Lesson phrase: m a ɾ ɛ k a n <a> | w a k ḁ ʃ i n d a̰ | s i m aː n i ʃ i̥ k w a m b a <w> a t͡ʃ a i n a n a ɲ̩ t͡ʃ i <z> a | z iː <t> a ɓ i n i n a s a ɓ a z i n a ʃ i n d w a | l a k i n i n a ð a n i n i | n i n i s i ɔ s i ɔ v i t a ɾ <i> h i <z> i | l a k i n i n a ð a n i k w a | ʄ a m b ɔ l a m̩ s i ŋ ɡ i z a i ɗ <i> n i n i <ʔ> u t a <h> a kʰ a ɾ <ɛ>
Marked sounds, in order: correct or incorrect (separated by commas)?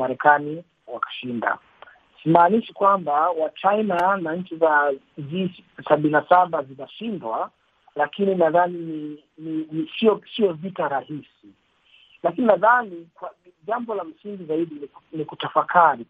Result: incorrect, correct, correct, incorrect, incorrect, incorrect, correct, incorrect, incorrect, incorrect